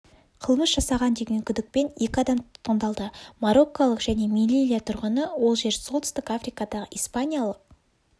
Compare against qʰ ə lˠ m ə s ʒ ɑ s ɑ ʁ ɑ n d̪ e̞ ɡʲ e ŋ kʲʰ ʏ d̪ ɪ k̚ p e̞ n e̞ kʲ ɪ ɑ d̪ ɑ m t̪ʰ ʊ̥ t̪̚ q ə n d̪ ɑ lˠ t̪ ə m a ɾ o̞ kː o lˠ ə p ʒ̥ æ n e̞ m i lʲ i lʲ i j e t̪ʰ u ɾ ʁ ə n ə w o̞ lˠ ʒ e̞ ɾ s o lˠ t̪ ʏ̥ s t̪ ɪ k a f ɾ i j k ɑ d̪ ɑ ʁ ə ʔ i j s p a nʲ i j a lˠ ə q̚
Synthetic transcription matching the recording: qʰ ə lˠ m ə s ʒ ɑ s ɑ ʁ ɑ n d̪ e̞ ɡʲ e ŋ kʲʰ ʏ d̪ ɪ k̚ p e̞ n e̞ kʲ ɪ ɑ d̪ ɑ m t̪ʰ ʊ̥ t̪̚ q ə n d̪ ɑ lˠ d̪ ə m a ɾ o̞ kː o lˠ ə q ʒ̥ æ n e̞ m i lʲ i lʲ i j a t̪ʰ ʊ ɾ ʁ ə n ə w o̞ lˠ ʒ e̞ ɾ s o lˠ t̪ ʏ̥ s t̪ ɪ k a f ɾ i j k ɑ d̪ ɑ ʁ ə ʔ i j s p a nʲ i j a lˠ ə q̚